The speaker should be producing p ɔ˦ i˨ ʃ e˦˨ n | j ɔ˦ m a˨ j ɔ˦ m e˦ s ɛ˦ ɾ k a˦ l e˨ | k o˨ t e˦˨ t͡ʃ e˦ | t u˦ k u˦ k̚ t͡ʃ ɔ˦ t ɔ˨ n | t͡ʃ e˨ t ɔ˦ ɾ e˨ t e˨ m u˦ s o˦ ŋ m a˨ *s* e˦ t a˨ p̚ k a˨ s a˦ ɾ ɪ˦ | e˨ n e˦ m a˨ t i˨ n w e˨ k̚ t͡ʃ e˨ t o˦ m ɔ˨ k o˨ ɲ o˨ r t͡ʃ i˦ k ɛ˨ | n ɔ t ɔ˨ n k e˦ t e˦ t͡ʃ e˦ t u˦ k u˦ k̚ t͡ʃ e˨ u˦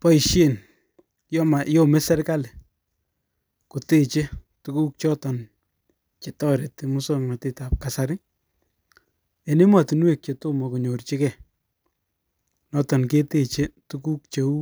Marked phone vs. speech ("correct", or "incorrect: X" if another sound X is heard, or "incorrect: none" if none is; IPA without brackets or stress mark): incorrect: t